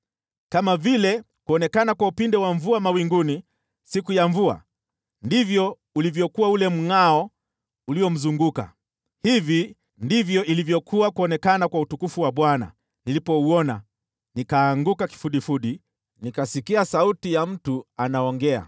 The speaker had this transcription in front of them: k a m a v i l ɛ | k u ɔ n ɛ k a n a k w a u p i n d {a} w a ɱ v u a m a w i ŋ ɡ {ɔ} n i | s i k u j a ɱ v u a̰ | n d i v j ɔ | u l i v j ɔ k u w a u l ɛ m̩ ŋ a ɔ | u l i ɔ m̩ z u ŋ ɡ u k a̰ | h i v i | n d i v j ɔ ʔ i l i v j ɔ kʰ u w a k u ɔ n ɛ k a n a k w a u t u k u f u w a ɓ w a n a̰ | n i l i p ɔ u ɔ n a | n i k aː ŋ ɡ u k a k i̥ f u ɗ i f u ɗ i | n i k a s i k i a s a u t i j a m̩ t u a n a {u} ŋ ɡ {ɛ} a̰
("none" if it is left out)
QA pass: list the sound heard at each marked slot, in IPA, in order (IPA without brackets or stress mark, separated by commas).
ɛ, u, ɔ, ɛ